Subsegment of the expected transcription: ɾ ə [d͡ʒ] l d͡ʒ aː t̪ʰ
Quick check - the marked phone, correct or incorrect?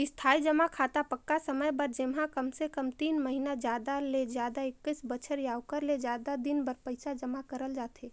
incorrect